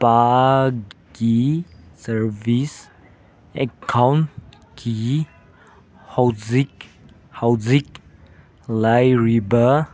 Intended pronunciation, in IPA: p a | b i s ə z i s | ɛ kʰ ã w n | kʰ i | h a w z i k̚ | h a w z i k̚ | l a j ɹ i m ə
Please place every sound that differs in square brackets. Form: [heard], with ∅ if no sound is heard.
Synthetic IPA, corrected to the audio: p a | [ɡ] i s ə [v] i s | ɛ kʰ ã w n | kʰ i | h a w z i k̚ | h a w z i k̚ | l a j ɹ i [b] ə